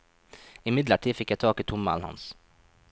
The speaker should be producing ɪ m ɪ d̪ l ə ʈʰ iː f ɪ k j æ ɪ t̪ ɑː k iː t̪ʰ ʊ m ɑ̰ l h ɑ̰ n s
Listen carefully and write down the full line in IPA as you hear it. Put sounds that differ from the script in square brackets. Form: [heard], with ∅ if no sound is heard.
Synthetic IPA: ɪ m ɪ d̪ l ə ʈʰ iː f ɪ k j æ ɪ [t̪ʰ] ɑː k iː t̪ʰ ʊ m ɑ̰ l h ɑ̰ n s